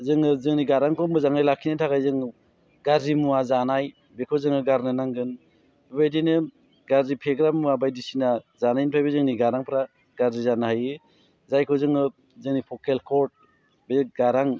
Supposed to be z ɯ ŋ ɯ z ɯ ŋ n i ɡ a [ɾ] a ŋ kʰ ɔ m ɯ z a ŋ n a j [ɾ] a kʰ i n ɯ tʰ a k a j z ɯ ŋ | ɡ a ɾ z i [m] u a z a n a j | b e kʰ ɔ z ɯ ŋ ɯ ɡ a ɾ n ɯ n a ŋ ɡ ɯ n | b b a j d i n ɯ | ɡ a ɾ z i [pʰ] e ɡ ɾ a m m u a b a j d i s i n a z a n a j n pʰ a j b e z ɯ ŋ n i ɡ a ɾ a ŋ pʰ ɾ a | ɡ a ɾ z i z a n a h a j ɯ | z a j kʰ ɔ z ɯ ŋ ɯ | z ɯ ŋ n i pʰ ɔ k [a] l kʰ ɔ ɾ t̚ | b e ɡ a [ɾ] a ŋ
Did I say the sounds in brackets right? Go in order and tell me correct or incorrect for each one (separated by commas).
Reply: correct, incorrect, correct, correct, incorrect, correct